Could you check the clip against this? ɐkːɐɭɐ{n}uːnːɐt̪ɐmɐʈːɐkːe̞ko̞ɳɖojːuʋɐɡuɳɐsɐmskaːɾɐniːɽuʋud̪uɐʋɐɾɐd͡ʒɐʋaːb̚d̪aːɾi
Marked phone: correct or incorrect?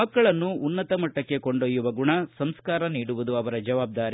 incorrect